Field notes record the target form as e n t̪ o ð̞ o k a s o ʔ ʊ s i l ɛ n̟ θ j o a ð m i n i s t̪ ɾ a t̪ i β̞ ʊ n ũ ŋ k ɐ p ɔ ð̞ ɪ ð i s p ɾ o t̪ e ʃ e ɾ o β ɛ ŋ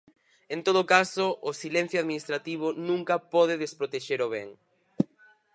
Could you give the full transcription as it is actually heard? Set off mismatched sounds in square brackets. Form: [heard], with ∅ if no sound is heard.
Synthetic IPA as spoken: e n t̪ o ð̞ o k a s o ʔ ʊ s i l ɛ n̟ θ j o a ð m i n i s t̪ ɾ a t̪ i β̞ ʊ n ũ ŋ k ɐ p ɔ ð̞ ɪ ð [e] s p ɾ o t̪ e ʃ e ɾ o β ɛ ŋ

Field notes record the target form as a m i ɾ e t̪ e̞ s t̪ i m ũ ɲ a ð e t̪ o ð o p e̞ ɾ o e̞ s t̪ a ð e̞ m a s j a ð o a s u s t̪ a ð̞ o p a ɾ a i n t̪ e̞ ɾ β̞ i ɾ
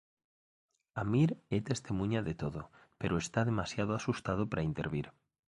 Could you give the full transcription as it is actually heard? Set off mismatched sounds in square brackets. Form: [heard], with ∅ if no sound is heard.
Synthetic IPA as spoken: a m i ɾ e t̪ e̞ s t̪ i m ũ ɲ a ð e t̪ o ð o p e̞ ɾ o e̞ s t̪ a ð e̞ m a s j a ð o a s u s t̪ a ð̞ o p a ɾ a i n t̪ e̞ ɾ β̞ i ɾ

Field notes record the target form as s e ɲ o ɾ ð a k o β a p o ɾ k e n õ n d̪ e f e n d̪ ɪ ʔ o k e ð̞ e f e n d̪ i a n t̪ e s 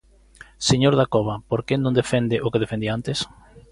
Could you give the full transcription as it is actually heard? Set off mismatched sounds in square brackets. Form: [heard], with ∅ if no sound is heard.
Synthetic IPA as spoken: s e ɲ o ɾ ð a k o β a p o ɾ k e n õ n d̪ e f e n d̪ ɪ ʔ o k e ð̞ e f e n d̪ i a n t̪ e s

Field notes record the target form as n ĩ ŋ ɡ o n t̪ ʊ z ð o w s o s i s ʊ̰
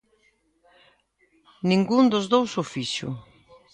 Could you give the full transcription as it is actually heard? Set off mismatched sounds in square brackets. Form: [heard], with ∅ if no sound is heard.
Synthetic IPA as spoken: n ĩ ŋ ɡ [u] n [d̪] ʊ z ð o w s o [f] i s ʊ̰

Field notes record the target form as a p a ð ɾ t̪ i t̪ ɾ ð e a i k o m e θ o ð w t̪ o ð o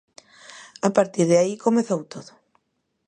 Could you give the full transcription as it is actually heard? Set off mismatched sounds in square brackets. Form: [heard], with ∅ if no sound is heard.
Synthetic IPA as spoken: a p a [∅] ɾ t̪ i [∅] ɾ ð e a i k o m e θ o [∅] w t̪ o ð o

